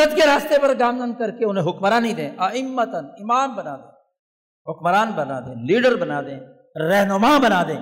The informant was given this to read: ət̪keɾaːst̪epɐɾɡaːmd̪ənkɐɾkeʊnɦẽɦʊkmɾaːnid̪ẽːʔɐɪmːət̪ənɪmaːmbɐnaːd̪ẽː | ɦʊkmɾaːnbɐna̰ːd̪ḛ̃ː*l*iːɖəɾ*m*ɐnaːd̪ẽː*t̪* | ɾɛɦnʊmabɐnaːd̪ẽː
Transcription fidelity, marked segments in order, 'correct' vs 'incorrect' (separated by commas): correct, incorrect, incorrect